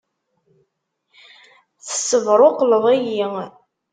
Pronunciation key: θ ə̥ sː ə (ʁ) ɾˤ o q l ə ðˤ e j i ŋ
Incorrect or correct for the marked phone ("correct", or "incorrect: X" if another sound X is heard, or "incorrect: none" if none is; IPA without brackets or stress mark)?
incorrect: v